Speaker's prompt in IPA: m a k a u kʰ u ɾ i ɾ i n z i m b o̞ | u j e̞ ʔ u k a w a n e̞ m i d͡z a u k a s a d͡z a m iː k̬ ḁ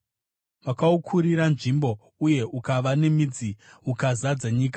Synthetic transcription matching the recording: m a k a u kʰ u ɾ i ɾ a n ʐ i m b o̞ | u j e̞ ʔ u k a ʋ a n e̞ m i d͡z i u k a z a d͡z a ɲ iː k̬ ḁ